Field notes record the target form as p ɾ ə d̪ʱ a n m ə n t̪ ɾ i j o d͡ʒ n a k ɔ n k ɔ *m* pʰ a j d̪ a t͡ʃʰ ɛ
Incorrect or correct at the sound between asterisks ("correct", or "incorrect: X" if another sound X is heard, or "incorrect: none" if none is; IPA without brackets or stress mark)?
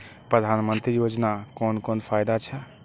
incorrect: n